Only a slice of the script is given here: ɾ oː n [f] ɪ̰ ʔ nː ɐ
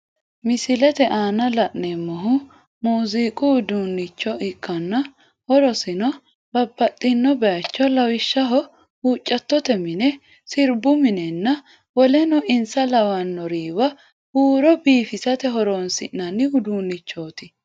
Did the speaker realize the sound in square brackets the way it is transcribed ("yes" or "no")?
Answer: no